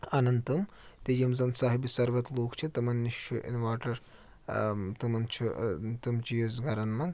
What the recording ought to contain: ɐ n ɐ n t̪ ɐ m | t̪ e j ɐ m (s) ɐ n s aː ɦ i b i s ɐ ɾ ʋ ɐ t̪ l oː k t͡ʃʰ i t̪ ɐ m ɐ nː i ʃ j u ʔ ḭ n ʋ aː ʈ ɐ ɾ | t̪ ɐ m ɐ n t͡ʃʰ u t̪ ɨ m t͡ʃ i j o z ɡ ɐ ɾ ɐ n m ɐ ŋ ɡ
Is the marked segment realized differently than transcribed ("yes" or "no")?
yes